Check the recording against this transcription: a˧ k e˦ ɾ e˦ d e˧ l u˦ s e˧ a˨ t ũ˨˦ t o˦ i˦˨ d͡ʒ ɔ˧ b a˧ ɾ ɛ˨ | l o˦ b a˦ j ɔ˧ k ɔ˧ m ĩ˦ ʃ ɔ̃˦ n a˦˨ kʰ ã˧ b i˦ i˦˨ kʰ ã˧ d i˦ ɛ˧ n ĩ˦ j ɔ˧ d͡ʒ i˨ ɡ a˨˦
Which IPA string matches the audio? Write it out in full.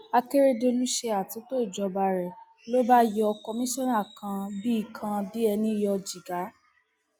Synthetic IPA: a˧ k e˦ ɾ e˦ d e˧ l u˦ ʃ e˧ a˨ t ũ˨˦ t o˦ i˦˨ d͡ʒ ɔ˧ b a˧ ɾ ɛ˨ | l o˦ b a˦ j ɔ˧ k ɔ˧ m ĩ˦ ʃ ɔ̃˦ n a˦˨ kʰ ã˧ b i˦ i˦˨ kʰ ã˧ d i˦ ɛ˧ n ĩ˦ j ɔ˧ d͡ʒ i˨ ɡ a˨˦